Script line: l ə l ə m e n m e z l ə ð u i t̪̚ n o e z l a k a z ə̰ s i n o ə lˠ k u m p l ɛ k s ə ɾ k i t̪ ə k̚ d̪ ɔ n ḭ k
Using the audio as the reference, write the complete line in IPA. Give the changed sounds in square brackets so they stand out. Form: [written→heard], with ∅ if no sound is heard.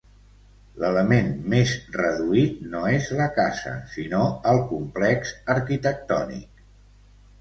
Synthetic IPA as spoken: l ə l ə m e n m e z [l→r] ə ð u i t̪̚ n o e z l [a→ə] k a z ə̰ s i n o ə lˠ k u m p l ɛ k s ə ɾ k i t̪ ə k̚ [d̪→t̪] ɔ n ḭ k